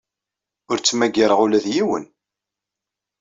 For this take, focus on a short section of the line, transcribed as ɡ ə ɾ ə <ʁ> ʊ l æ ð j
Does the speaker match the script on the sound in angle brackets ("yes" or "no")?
yes